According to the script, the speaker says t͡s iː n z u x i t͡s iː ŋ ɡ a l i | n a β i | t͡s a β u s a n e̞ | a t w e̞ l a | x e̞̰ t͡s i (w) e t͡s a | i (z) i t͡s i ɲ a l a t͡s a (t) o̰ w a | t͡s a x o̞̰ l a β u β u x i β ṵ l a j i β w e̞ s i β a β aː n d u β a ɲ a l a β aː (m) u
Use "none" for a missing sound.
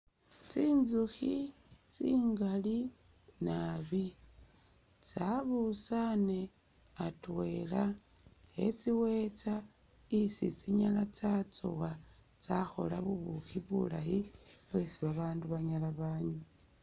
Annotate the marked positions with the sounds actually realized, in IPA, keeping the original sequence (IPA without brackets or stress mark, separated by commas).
w, s, t͡s, ɲ